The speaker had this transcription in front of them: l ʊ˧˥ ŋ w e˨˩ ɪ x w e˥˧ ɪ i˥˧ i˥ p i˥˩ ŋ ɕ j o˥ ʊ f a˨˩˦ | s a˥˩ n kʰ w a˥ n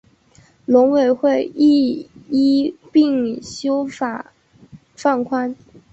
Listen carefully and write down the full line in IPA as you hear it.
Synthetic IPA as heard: l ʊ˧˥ ŋ w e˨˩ ɪ x w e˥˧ ɪ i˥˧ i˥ p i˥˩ ŋ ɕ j o˥ ʊ f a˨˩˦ | f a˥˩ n kʰ w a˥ n